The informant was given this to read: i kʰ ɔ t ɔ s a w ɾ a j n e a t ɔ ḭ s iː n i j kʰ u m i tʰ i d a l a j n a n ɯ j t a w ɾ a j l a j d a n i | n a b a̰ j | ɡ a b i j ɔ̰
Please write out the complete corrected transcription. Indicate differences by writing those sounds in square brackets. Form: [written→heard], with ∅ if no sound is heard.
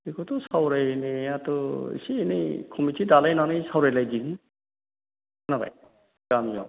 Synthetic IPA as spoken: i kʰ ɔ t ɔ s a w ɾ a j n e a t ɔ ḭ s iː n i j kʰ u m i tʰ i d a l a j n a n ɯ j [t→s] a w ɾ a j l a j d [a→i] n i | n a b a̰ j | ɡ a [b→m] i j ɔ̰